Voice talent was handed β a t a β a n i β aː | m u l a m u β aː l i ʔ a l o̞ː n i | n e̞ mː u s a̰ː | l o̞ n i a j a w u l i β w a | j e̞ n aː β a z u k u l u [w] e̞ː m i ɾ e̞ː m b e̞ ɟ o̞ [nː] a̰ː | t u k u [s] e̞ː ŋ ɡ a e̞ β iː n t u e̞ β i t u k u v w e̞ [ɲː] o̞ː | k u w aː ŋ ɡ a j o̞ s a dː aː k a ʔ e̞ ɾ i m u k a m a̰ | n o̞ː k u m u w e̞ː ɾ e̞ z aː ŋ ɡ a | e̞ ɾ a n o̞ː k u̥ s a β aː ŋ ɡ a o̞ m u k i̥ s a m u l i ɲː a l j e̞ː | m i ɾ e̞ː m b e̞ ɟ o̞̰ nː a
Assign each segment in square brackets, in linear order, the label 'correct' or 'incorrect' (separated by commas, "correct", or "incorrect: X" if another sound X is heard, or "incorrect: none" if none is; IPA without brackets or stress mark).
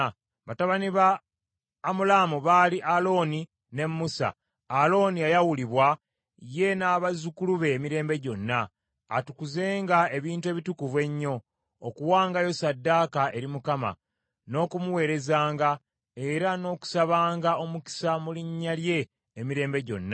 incorrect: β, correct, incorrect: z, correct